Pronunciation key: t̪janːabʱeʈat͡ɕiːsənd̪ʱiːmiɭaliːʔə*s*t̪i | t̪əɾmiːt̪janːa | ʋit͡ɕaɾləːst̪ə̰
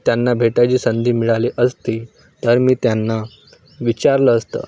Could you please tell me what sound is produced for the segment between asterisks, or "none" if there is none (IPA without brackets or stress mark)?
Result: s